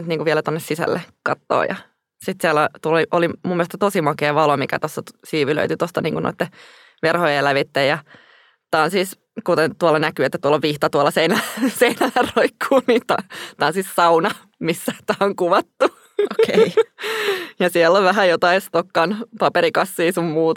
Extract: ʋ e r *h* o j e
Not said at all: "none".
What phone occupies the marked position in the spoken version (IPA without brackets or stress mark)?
h